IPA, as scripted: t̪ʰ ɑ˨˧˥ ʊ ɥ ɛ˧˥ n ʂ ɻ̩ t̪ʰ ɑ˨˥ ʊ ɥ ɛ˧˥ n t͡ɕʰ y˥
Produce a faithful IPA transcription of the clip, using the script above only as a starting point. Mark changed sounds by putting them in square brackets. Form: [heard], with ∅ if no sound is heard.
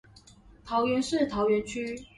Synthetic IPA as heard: t̪ʰ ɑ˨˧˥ ʊ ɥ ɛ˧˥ n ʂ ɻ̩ t̪ʰ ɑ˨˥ ʊ ɥ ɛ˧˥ n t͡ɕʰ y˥